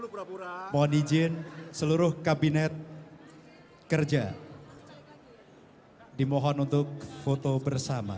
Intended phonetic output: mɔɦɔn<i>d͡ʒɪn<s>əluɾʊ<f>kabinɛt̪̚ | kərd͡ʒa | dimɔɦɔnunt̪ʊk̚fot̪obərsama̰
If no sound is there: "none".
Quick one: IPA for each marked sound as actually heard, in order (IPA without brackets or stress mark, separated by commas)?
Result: i, s, h